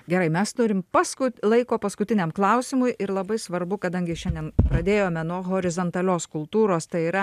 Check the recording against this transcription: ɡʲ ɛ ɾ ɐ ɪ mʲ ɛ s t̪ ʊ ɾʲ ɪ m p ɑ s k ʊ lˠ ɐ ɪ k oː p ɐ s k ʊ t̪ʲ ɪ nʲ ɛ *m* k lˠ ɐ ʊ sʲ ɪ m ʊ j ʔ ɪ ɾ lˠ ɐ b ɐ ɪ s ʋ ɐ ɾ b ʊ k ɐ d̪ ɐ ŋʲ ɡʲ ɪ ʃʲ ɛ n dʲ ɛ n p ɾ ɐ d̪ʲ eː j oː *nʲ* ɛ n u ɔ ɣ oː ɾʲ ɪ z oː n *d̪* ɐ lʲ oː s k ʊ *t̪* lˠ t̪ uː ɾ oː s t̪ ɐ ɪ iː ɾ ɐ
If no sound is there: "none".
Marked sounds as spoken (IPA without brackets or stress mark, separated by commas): m, mʲ, t̪, none